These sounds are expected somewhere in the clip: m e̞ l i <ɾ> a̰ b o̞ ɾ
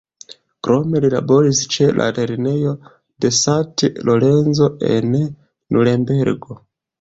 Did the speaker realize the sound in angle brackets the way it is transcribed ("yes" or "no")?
no